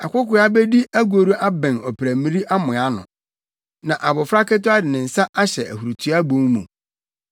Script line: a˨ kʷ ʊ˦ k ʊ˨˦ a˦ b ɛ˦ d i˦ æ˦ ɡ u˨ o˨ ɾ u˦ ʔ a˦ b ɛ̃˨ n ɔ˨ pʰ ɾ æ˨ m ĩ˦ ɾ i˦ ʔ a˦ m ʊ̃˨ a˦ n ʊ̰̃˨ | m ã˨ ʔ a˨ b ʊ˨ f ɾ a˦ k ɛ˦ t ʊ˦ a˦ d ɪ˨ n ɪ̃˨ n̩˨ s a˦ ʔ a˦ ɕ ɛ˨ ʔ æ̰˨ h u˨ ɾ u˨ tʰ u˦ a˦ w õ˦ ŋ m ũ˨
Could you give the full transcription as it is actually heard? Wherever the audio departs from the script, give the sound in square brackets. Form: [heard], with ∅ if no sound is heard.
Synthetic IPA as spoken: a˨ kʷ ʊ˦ k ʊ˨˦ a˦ b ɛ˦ d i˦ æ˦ ɡ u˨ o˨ ɾ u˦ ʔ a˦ b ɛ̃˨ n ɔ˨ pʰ ɾ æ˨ m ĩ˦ ɾ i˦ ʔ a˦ m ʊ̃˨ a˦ n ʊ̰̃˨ | [n] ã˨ ʔ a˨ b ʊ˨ f ɾ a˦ k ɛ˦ t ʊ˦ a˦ d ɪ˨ n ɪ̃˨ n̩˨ s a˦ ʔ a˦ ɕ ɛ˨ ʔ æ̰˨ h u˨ ɾ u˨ tʰ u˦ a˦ [b] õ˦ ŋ m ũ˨